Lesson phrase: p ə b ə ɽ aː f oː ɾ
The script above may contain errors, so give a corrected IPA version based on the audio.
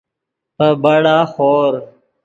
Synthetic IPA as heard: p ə b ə ɽ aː x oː ɾ